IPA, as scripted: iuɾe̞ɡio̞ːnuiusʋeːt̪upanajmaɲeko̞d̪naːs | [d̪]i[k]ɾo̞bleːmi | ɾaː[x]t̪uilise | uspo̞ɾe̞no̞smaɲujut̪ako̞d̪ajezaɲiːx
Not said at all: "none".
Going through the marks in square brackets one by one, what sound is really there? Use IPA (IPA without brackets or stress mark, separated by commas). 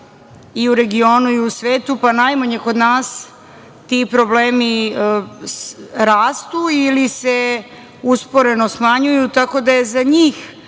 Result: t̪, p, s